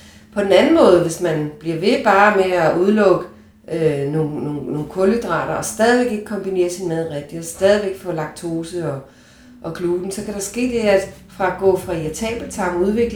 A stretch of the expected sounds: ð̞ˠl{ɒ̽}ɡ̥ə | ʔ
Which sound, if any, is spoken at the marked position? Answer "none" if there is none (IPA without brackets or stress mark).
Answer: ɔ̽